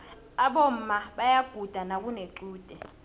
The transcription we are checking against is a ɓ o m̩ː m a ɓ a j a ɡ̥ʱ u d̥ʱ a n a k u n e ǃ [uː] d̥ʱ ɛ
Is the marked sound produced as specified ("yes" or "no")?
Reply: yes